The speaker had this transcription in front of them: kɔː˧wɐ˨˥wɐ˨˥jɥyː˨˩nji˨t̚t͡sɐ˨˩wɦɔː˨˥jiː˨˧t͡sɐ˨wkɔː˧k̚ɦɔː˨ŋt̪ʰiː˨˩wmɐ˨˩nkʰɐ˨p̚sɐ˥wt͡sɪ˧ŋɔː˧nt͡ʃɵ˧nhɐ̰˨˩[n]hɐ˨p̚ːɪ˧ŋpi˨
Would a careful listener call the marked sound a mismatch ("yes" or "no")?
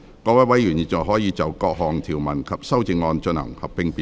yes